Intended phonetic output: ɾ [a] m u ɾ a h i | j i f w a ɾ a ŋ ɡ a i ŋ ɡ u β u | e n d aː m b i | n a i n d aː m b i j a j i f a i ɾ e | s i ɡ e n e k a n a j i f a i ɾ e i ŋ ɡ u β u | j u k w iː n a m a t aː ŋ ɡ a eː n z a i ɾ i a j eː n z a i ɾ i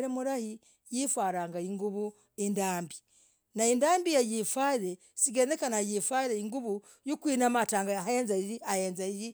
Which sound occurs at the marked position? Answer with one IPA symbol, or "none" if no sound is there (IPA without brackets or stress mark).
e